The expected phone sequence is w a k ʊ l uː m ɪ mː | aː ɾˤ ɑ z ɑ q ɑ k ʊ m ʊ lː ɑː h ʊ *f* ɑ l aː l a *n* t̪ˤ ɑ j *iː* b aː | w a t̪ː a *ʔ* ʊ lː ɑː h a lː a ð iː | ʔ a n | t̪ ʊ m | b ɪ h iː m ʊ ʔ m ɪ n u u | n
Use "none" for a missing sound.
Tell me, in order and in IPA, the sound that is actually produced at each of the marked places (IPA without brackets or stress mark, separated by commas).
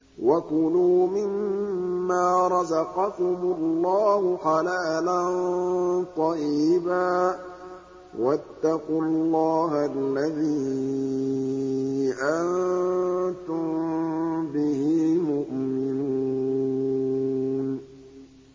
x, n, iː, q